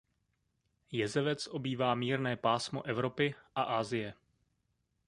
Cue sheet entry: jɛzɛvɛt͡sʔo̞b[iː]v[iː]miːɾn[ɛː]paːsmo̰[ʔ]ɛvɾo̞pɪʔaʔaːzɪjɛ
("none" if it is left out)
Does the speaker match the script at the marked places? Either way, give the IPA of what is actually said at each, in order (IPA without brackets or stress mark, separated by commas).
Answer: iː, aː, ɛː, ʔ